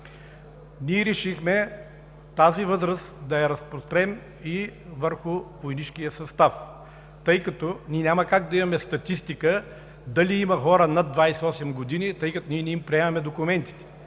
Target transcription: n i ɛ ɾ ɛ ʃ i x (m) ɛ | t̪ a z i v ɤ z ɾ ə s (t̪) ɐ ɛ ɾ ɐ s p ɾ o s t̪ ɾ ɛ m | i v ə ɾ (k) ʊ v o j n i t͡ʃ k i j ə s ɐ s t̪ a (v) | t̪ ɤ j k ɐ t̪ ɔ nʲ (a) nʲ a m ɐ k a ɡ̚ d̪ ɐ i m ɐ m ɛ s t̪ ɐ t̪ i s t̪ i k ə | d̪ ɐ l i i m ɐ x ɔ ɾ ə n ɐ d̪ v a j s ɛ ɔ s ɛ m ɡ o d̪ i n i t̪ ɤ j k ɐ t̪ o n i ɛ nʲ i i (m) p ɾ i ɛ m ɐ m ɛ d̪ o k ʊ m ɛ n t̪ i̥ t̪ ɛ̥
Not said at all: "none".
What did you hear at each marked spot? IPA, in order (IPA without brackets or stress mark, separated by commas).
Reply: m, d̪, x, f, i, m